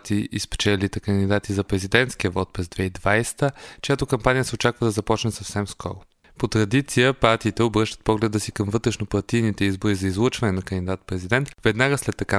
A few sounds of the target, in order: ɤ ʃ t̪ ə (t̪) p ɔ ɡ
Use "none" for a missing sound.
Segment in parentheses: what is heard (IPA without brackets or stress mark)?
t̪